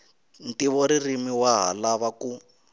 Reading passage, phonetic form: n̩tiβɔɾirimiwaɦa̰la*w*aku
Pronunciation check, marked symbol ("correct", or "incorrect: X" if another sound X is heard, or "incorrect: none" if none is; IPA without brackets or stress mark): incorrect: β